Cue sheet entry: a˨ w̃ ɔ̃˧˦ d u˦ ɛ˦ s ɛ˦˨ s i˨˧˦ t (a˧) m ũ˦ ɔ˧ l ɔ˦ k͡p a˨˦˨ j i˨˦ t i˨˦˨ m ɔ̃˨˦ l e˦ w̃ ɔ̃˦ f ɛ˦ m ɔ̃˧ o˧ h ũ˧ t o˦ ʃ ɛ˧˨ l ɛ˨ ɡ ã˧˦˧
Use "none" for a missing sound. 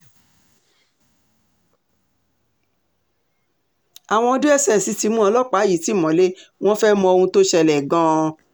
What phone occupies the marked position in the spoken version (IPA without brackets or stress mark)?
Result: i˧